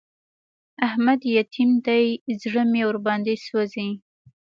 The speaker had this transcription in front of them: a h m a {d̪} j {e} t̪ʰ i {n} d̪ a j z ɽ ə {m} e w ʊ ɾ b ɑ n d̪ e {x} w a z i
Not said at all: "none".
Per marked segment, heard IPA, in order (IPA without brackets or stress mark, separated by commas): d̪, a, m, m, s